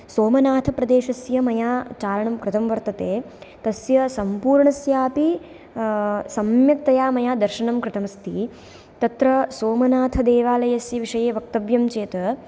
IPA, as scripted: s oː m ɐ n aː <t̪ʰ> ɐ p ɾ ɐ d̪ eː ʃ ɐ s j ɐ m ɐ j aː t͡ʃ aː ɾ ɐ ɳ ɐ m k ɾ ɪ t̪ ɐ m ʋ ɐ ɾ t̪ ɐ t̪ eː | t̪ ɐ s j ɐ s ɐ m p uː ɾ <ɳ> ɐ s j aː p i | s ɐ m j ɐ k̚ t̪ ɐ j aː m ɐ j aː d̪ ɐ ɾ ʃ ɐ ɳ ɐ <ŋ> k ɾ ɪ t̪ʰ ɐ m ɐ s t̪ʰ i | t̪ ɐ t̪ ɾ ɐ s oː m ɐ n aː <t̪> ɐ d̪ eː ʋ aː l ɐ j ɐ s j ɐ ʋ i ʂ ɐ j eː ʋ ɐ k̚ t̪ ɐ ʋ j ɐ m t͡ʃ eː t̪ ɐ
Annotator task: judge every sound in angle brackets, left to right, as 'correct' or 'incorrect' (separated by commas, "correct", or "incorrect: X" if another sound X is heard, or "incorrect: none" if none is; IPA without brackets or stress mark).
correct, correct, incorrect: m, incorrect: t̪ʰ